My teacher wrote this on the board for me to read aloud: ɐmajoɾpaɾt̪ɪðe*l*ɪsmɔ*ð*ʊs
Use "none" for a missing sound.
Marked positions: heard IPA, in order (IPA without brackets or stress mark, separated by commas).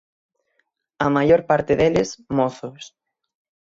l, θ